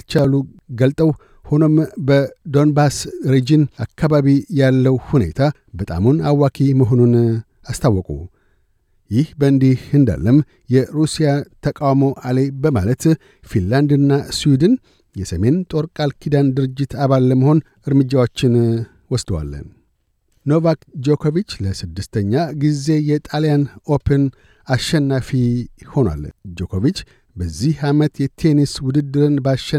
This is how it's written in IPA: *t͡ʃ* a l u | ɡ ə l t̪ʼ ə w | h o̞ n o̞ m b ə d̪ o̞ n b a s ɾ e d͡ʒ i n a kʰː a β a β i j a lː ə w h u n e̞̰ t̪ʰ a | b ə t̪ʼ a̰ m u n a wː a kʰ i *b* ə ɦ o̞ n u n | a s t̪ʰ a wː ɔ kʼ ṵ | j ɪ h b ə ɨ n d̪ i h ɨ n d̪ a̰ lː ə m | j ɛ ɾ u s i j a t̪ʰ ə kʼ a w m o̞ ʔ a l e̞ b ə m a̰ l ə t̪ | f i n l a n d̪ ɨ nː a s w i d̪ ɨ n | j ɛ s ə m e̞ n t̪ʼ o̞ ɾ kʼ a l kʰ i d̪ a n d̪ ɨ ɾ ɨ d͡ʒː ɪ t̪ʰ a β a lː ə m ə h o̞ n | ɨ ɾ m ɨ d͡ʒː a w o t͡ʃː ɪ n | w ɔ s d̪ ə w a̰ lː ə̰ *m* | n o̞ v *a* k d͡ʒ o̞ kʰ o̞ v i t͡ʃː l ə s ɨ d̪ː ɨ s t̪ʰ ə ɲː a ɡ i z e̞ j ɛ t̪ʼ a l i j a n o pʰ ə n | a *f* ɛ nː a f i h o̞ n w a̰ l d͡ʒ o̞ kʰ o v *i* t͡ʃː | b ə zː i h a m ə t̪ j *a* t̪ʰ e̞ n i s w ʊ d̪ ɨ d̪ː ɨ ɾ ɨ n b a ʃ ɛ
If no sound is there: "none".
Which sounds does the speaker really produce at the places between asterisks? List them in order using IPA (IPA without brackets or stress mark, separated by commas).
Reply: t͡ʃ, m, n, a, ʃ, i, ɛ